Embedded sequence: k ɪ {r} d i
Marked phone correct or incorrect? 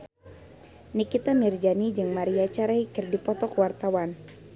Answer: correct